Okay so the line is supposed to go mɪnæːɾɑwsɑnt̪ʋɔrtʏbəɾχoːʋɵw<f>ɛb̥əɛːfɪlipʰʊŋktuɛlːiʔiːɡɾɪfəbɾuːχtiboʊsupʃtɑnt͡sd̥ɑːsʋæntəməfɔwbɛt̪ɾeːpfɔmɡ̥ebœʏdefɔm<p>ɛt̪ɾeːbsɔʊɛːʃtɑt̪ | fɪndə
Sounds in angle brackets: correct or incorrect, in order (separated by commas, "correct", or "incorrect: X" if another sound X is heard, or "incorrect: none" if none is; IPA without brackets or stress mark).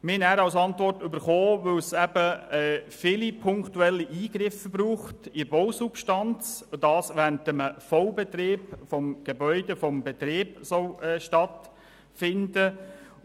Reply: incorrect: s, incorrect: b